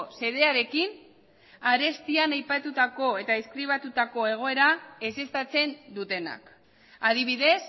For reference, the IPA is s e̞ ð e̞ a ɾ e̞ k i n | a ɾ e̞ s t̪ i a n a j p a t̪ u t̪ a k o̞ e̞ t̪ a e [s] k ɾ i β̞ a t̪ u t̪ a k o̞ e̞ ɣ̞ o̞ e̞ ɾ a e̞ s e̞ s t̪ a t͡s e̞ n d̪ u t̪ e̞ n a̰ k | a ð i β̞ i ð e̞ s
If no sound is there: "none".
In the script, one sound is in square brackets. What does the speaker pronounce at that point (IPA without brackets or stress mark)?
s